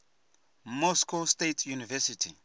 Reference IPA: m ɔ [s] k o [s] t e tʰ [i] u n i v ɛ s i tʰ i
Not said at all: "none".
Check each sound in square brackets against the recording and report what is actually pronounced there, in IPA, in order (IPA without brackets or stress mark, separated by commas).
s, s, j